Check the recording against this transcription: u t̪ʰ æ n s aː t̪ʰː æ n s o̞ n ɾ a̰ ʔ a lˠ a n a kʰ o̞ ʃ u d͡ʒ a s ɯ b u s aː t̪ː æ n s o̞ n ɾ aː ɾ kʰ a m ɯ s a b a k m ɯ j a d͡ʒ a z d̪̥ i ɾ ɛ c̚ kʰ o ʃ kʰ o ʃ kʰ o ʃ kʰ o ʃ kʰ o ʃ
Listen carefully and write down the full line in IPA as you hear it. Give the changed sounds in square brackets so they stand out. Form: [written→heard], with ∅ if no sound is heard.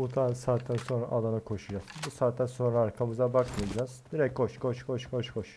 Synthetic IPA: u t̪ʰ [æ→a] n s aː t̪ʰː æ n s o̞ n ɾ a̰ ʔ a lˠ a n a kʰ o̞ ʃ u d͡ʒ a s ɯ b u s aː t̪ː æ n s o̞ n ɾ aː ɾ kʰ a m ɯ [s→z] a b a k m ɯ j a d͡ʒ a z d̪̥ i ɾ ɛ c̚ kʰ o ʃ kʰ o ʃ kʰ o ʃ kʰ o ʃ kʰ o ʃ

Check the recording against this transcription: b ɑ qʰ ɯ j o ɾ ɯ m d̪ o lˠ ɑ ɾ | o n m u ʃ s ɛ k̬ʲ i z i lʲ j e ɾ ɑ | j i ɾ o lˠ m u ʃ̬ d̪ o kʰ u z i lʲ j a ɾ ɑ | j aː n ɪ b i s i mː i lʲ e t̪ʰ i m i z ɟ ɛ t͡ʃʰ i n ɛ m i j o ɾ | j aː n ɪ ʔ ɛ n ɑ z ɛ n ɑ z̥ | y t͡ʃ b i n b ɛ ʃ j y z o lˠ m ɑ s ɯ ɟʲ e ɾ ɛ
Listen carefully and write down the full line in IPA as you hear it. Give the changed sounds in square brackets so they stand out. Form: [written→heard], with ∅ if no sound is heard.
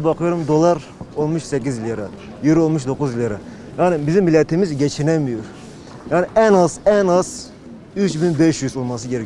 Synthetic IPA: b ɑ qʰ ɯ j o ɾ [ɯ→u] m d̪ o lˠ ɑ ɾ | o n m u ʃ s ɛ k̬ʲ i z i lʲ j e ɾ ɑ | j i ɾ o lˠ m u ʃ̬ d̪ o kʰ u z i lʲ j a ɾ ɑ | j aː n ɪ b i [s→z] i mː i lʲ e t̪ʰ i m i z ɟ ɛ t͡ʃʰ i n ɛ m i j o ɾ | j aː n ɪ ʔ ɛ n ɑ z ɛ n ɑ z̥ | y t͡ʃ b i n b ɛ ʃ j y z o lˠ m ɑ s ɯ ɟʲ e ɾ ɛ

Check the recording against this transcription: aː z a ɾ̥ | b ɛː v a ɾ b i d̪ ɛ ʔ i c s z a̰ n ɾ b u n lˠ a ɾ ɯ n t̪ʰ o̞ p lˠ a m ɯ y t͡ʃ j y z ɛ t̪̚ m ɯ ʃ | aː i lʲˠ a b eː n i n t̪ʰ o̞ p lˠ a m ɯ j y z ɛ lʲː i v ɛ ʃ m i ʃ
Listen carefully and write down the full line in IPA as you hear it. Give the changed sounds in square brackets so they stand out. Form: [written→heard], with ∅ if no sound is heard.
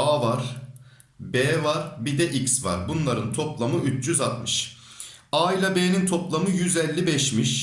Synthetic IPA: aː [z→v] a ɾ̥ | b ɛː v a ɾ b i d̪ ɛ ʔ i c s [z→v] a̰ [n→∅] ɾ b u n lˠ a ɾ ɯ n t̪ʰ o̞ p lˠ a m ɯ y t͡ʃ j y z [ɛ→a] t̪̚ m ɯ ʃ | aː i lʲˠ a b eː n i n t̪ʰ o̞ p lˠ a m ɯ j y z ɛ lʲː i [v→b] ɛ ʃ m i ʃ

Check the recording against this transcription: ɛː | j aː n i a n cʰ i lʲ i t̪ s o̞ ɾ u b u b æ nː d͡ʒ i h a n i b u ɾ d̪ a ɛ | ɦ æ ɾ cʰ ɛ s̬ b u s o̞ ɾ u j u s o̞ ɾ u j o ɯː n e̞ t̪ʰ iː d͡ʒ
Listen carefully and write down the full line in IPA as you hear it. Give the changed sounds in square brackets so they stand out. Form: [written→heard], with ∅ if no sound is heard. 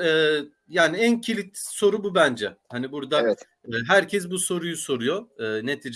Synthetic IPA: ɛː | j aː n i [a→æ] n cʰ i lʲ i t̪ s o̞ ɾ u b u b æ [nː→n] d͡ʒ [i→ɛ] h a n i b u ɾ d̪ a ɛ | ɦ æ ɾ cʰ ɛ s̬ b u s o̞ ɾ u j u s o̞ ɾ u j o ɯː n e̞ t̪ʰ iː d͡ʒ

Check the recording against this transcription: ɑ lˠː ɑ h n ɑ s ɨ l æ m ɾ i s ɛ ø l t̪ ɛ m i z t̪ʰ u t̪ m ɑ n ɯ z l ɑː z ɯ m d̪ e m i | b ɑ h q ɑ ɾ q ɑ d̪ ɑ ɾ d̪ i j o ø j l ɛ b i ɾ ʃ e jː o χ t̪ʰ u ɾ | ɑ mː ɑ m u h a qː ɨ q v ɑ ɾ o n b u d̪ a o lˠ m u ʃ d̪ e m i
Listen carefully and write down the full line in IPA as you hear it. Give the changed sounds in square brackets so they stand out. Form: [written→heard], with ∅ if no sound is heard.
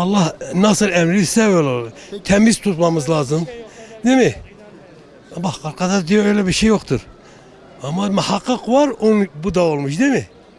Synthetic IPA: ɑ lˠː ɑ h n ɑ s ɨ l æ m ɾ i s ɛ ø l [t̪→t̪ʰ] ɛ m i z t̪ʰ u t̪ m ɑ [n→m] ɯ z l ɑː z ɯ m d̪ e m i | b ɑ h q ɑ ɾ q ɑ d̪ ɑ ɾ d̪ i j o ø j l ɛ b i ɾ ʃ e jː o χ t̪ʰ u ɾ | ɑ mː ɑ m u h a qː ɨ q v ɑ ɾ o n b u d̪ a o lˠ m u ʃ d̪ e m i

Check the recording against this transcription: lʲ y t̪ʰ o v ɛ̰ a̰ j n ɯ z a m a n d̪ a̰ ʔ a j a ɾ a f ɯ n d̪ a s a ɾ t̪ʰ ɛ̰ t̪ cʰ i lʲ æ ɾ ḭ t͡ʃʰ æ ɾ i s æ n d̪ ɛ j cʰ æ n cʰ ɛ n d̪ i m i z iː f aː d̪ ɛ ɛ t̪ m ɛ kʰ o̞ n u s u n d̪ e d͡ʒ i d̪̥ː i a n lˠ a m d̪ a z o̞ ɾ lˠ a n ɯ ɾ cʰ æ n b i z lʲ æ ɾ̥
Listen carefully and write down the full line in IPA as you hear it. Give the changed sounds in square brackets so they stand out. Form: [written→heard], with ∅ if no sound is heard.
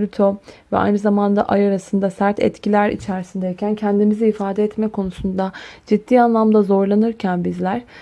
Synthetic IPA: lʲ y t̪ʰ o v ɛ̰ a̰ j n ɯ z a m a n d̪ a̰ ʔ a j a ɾ a [f→s] ɯ n d̪ a s [a→æ] ɾ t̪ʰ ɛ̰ t̪ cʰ i lʲ æ ɾ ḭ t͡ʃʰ æ ɾ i s [æ→i] n d̪ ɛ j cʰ æ n cʰ ɛ n d̪ i m i z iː f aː d̪ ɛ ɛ t̪ m ɛ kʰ o̞ n u s u n d̪ [e→a] d͡ʒ i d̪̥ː [i→iː] a n lˠ a m d̪ a z o̞ ɾ lˠ a n ɯ ɾ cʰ æ n b i z lʲ æ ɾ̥

